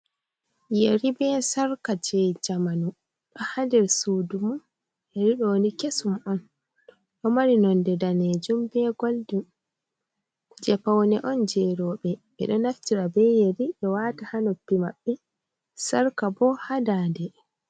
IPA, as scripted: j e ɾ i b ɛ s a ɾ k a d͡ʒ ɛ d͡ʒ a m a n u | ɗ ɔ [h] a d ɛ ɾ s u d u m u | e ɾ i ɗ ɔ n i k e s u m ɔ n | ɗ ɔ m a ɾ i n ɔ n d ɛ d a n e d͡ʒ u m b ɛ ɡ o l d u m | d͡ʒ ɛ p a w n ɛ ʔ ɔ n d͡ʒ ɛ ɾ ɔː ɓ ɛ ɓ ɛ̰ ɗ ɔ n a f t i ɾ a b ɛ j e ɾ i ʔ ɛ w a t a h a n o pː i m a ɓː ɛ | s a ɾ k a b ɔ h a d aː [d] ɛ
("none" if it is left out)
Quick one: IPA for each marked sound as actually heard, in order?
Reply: h, d

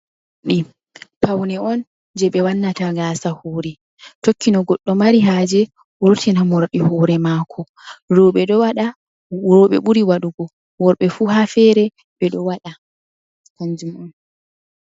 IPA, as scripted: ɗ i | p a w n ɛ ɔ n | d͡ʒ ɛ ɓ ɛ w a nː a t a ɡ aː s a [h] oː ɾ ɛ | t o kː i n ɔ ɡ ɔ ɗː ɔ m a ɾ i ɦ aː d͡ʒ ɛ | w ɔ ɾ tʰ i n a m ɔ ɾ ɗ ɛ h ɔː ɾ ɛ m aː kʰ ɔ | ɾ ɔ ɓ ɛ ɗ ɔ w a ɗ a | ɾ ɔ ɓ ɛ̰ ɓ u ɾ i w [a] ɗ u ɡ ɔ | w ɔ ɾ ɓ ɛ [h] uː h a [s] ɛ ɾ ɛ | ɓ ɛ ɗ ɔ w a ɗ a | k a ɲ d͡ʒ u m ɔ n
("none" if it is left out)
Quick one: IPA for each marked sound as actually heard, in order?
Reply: h, a, f, f

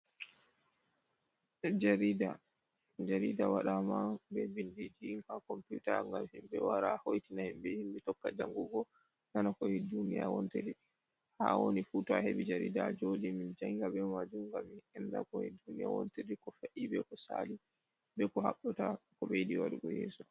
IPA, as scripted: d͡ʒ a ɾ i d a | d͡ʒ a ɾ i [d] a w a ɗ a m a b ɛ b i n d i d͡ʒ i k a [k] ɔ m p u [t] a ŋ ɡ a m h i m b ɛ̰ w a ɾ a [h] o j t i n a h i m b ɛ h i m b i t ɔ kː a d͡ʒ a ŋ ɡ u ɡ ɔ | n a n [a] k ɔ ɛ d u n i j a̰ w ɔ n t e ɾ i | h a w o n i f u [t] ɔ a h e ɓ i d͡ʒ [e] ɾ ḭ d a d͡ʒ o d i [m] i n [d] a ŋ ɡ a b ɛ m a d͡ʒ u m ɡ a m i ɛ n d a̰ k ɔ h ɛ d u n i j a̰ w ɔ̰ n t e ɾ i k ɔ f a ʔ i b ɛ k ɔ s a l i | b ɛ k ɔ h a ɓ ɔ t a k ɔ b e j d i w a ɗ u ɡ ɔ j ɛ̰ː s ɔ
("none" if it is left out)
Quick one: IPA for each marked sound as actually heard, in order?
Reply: d, k, t, h, a, t, a, m, d͡ʒ

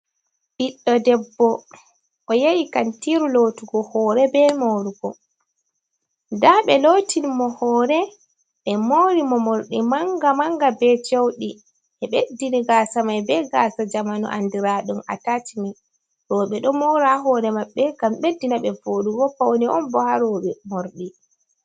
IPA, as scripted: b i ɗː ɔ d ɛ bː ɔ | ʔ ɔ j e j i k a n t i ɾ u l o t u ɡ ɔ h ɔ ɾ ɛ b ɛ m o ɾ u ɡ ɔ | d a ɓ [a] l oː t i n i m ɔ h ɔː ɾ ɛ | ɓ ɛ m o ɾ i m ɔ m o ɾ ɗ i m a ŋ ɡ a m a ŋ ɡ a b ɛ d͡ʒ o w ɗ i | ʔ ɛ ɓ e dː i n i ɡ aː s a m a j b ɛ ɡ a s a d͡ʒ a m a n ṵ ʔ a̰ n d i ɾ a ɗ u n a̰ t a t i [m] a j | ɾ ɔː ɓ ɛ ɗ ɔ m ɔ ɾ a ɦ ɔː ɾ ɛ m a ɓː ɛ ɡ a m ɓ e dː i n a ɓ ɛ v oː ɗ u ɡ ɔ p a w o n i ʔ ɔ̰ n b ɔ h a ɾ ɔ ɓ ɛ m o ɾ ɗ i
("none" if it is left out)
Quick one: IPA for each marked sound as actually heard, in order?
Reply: ɛ, m

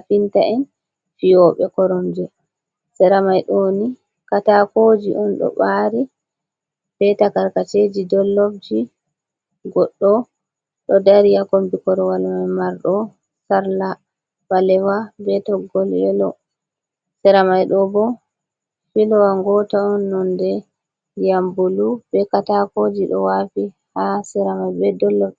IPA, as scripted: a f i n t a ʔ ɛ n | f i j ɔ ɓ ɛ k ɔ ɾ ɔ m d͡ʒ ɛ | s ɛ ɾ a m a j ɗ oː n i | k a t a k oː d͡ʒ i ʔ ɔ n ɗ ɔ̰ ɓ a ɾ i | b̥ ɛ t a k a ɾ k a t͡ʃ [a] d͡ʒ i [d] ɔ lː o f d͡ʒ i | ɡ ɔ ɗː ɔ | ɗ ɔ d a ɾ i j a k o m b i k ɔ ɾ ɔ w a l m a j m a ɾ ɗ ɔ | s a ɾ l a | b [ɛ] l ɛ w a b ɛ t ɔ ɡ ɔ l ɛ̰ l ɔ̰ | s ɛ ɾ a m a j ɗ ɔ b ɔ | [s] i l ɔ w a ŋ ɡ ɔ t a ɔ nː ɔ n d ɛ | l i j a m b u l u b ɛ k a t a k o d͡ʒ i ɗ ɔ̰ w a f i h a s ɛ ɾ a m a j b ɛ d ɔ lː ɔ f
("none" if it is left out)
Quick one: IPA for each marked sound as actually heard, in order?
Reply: e, d, a, f

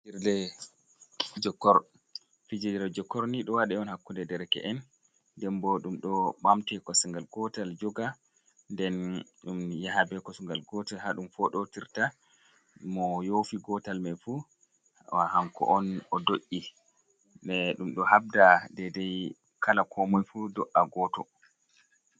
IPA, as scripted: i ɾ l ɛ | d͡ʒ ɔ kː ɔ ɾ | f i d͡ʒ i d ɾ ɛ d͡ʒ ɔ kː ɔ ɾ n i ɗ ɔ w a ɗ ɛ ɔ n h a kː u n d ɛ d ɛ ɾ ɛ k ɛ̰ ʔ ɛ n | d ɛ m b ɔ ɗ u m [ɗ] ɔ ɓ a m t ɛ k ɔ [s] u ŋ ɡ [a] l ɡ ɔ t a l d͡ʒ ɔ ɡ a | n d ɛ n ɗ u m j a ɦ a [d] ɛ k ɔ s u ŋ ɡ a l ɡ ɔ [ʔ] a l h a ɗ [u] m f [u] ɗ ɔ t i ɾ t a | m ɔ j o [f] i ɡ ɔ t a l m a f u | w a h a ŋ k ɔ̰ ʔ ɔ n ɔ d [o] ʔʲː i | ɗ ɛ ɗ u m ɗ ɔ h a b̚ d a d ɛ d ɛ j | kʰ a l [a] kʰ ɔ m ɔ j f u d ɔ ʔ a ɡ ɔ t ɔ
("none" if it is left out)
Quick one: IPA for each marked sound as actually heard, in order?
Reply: ɗ, s, a, b, t, u, ɔ, f, o, a

